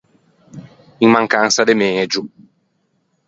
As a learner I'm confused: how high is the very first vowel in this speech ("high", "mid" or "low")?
high